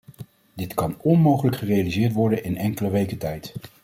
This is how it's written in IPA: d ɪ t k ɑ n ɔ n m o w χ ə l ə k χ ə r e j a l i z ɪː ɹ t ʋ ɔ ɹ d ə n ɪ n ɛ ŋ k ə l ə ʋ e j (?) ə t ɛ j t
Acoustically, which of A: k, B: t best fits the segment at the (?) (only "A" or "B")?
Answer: A